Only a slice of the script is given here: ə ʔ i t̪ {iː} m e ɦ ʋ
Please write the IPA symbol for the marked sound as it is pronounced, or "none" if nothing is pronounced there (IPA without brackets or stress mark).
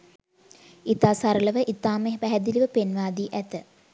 aː